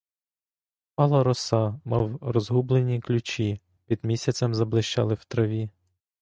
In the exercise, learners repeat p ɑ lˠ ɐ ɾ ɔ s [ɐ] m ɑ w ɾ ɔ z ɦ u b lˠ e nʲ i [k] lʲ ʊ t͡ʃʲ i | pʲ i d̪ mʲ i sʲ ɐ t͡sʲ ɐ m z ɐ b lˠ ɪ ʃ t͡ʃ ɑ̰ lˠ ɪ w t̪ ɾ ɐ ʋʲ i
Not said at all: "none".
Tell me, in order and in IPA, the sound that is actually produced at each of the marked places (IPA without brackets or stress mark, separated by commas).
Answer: ɑ, k